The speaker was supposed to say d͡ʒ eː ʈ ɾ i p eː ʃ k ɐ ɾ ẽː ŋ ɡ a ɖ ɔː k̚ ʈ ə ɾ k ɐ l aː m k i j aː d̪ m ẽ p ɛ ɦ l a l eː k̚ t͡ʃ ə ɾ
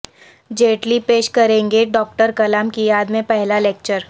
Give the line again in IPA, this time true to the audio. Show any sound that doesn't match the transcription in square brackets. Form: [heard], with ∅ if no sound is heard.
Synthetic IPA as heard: d͡ʒ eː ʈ [l] i p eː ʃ k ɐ ɾ ẽː ŋ ɡ [e] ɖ ɔː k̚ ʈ ə ɾ k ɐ l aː m k i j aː d̪ m ẽ p ɛ ɦ l a l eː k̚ t͡ʃ ə ɾ